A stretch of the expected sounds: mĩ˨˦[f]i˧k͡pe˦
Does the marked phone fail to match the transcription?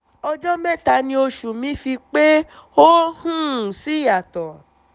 no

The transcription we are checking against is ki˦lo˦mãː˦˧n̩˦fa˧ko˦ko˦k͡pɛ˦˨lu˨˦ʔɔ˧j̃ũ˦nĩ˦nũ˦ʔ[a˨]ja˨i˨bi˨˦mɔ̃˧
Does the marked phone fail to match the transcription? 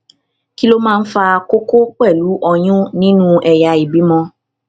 yes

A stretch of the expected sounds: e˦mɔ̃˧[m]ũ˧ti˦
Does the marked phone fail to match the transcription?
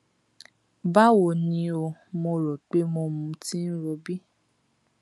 no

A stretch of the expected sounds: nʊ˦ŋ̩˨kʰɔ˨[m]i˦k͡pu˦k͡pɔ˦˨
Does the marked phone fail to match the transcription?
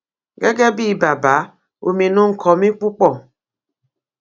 no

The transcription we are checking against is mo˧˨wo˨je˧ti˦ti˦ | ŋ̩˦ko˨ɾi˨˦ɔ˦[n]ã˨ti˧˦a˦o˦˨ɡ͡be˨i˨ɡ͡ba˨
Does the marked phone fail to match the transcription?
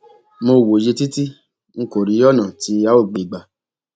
no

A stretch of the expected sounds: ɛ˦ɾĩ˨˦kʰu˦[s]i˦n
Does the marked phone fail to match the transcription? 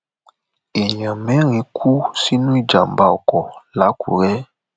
no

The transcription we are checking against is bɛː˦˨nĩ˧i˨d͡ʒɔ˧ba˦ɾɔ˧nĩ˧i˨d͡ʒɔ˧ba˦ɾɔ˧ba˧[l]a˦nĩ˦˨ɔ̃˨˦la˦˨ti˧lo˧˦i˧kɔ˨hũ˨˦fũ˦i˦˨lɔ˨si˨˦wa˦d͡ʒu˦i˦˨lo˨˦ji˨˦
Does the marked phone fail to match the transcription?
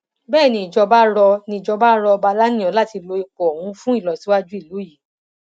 no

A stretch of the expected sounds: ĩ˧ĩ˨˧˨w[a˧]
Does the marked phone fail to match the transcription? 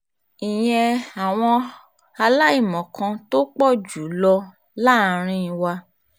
no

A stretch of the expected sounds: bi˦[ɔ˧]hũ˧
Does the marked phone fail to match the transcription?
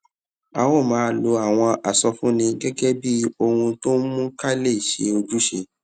yes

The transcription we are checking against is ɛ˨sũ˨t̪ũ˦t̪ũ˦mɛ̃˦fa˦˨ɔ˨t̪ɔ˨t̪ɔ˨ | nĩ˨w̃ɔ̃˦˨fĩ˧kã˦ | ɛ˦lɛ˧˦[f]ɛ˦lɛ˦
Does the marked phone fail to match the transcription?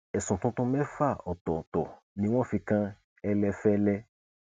no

